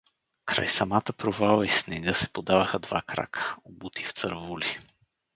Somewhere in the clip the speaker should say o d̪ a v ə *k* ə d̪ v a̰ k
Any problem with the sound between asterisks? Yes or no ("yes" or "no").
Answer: yes